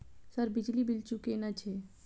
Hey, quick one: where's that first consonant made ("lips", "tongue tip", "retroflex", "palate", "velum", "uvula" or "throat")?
tongue tip